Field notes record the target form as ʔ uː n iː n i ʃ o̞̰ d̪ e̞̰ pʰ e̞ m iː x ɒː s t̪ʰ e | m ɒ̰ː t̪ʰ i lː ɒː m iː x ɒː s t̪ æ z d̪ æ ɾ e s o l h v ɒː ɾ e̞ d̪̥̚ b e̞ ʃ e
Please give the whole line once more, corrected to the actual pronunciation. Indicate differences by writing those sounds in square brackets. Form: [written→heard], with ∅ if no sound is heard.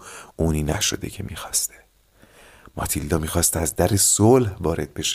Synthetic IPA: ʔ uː n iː n [i→æ] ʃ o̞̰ d̪ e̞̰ [pʰ→cʰ] e̞ m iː x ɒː s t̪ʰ e | m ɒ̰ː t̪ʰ i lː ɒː m iː x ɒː s t̪ æ z d̪ æ ɾ e s o l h v ɒː ɾ e̞ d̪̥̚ b e̞ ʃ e